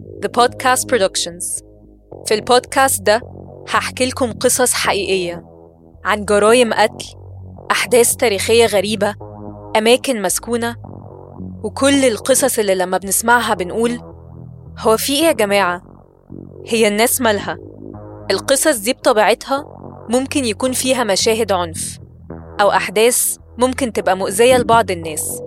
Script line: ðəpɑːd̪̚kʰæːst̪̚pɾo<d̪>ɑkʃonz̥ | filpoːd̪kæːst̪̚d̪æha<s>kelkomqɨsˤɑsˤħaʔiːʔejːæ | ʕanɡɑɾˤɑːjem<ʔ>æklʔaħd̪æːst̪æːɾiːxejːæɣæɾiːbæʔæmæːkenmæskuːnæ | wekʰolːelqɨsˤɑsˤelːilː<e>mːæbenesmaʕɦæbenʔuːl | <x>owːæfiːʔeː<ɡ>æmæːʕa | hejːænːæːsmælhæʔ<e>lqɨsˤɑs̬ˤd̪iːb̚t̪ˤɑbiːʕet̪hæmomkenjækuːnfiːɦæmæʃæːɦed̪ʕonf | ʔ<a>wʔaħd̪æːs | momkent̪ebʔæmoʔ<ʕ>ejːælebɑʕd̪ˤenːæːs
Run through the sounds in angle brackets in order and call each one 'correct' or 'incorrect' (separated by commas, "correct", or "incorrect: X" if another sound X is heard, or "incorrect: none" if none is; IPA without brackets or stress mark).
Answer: correct, incorrect: ħ, correct, incorrect: æ, incorrect: h, correct, correct, incorrect: æ, incorrect: z